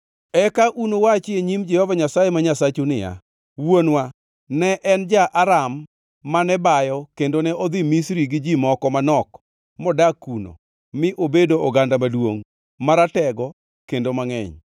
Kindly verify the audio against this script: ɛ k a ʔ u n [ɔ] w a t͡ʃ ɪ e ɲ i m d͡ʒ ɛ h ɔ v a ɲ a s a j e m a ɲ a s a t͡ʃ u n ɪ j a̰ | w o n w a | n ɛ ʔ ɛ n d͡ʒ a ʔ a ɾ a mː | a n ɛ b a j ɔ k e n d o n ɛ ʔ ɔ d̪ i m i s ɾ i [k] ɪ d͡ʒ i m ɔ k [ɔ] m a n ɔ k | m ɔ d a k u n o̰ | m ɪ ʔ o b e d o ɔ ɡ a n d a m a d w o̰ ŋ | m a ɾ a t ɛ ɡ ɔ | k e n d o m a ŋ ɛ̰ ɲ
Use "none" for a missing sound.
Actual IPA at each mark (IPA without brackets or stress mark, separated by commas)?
o, ɡ, ɔ